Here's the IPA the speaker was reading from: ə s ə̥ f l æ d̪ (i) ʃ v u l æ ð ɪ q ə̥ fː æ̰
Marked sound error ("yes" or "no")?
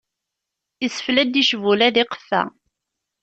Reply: no